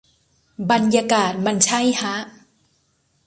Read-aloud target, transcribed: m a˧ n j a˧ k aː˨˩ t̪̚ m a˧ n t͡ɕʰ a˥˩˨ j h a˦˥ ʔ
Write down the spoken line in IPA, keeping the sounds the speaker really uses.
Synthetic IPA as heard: b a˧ n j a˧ k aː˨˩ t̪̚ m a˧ n t͡ɕʰ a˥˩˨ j h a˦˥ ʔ

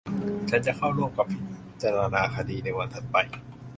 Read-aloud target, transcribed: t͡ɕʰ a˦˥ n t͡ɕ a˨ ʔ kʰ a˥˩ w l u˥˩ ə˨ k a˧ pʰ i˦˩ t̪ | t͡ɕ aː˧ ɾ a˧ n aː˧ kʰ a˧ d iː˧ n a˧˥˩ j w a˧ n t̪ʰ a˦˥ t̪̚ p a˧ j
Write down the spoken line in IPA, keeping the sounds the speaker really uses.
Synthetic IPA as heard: t͡ɕʰ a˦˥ n t͡ɕ a˨ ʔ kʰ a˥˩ w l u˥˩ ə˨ k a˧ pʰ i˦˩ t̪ | t͡ɕ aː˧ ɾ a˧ n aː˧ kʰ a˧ d iː˧ n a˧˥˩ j w a˧ n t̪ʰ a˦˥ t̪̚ p a˧ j

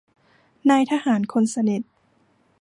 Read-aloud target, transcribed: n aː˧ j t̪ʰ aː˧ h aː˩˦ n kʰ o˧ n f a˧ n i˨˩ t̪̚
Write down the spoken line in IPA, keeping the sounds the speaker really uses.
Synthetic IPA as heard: n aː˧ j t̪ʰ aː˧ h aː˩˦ n kʰ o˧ n s a˧ n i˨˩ t̪̚

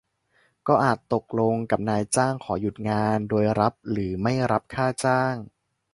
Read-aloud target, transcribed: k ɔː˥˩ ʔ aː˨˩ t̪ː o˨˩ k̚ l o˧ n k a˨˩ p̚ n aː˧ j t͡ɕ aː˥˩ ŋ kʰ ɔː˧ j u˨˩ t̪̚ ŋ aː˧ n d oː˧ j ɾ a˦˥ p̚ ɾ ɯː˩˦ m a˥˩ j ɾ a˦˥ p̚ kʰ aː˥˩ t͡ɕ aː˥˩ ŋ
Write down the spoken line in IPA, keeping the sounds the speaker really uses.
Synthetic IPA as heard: k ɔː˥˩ ʔ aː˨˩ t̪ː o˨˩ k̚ l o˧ ŋ k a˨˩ p̚ n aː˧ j t͡ɕ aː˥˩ ŋ kʰ ɔː˩˦ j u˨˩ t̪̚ ŋ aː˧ n d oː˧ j ɾ a˦˥ p̚ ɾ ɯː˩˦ m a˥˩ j ɾ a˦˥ p̚ kʰ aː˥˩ t͡ɕ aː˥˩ ŋ

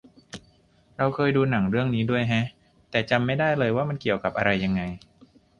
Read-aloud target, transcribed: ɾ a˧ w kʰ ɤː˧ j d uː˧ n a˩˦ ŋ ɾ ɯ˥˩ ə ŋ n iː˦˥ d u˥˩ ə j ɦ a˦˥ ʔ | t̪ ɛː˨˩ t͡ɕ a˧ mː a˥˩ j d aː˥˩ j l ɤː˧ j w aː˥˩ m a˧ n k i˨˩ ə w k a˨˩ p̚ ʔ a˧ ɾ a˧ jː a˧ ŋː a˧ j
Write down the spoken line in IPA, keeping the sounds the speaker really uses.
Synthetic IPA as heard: ɾ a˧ w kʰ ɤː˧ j d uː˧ n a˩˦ ŋ ɾ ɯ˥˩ ə ŋ n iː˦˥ d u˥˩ ə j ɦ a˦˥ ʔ | t̪ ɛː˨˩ t͡ɕ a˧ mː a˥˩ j d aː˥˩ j l ɤː˧ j w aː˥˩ m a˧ n k i˨˩ ə w k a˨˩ p̚ ʔ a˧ ɾ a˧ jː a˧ ŋː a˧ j

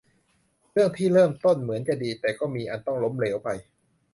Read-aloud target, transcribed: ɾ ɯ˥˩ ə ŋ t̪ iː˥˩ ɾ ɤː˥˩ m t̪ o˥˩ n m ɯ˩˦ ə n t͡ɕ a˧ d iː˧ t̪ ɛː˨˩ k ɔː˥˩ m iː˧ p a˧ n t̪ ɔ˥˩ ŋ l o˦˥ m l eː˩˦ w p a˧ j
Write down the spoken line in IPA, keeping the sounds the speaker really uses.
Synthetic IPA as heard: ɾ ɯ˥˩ ə ŋ t̪ʰ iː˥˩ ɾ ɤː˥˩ m t̪ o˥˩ n m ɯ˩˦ ə n t͡ɕ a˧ d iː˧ t̪ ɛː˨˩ k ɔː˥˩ m iː˧ ʔ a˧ n t̪ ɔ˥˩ ŋ l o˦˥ m l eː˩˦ w p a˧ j

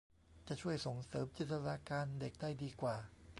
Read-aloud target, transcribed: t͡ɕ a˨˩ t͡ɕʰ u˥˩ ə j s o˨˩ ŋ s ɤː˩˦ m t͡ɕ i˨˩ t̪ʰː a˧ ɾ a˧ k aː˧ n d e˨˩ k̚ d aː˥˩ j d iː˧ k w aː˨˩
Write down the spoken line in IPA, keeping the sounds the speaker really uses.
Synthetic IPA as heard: t͡ɕ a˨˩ t͡ɕʰ u˥˩ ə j s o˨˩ ŋ s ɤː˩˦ m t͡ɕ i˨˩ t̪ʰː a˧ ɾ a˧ k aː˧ n d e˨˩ k̚ d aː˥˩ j d iː˧ k w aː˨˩

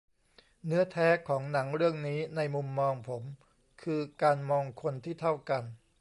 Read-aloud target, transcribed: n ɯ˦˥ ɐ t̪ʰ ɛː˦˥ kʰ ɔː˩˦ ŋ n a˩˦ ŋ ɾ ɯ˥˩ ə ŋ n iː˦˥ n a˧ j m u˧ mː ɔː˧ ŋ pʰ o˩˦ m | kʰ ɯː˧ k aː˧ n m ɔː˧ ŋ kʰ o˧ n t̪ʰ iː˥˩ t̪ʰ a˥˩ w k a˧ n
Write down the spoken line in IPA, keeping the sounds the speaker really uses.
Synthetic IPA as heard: n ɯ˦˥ ɐ t̪ʰ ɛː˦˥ kʰ ɔː˩˦ ŋ n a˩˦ ŋ ɾ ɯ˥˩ ə ŋ n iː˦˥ n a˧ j m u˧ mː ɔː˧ ŋ pʰ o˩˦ m | kʰ ɯː˧ k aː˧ n m ɔː˧ ŋ kʰ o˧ n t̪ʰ iː˥˩ t̪ʰ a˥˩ w k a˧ n

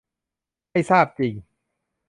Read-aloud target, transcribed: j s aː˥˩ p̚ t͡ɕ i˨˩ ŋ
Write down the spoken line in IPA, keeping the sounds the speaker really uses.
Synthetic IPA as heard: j s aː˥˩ p̚ t͡ɕ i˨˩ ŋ

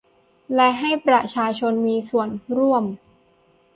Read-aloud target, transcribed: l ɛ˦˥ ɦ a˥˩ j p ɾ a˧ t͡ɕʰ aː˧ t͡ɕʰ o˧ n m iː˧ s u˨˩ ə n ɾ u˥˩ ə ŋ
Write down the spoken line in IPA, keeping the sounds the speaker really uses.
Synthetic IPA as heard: l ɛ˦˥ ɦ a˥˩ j p ɾ a˨˩ t͡ɕʰ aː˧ t͡ɕʰ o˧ n m iː˧ s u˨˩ ə n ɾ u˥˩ ə m

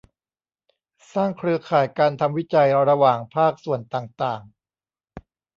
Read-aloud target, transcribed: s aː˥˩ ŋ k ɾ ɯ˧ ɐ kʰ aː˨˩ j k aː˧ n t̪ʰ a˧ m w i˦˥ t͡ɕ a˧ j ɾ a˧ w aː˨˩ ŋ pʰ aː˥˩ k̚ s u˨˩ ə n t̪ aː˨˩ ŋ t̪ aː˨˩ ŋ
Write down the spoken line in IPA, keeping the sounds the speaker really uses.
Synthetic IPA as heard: s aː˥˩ ŋ kʰ ɾ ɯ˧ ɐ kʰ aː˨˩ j k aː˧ n t̪ʰ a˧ m w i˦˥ t͡ɕ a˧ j ɾ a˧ w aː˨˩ ŋ pʰ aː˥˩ k̚ s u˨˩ ə n t̪ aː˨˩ ŋ t̪ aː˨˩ ŋ

